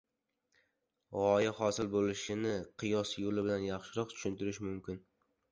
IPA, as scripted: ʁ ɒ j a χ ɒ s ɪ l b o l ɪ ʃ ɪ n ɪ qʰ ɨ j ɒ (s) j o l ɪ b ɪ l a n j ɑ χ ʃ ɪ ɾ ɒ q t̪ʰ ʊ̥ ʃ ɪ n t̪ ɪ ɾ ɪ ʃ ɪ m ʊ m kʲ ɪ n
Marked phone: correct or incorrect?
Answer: correct